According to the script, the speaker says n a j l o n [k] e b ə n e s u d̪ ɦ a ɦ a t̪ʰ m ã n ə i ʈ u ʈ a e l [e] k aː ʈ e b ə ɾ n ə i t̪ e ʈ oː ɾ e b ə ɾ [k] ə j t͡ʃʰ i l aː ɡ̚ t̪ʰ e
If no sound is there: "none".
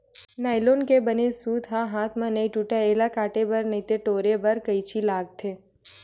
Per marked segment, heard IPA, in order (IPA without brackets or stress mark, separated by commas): k, a, k